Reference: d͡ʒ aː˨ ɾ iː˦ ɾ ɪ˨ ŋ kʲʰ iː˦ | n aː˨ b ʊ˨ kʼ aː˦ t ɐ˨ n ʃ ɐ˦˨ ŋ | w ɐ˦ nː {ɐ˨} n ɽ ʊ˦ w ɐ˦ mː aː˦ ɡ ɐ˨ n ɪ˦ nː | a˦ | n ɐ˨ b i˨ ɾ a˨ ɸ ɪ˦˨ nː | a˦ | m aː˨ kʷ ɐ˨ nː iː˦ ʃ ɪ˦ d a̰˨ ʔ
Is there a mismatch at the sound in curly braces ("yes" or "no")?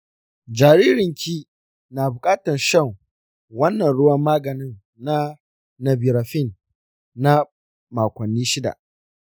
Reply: no